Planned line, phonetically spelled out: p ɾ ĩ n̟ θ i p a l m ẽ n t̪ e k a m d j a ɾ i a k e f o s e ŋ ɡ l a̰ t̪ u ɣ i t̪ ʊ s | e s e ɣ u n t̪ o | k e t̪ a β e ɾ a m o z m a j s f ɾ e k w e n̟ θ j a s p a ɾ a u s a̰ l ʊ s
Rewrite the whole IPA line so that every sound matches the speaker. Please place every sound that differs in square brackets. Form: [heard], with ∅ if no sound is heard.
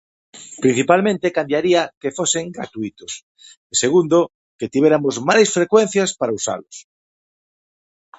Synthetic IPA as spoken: p ɾ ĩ n̟ θ i p a l m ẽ n t̪ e k a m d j a ɾ i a k e f o s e ŋ ɡ [ɾ] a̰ t̪ u [∅] i t̪ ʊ s | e s e ɣ u n [d̪] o | k e t̪ [i] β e ɾ a m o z m a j s f ɾ e k w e n̟ θ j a s p a ɾ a u s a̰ l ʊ s